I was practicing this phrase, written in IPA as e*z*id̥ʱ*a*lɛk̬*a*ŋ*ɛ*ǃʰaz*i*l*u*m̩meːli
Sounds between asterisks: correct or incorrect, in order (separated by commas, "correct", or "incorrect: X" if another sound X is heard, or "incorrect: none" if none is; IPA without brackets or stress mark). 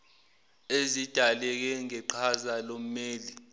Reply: correct, correct, incorrect: ɛ, correct, incorrect: a, incorrect: o